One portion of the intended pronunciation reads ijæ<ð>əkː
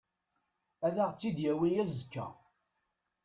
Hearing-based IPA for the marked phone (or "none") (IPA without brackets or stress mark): z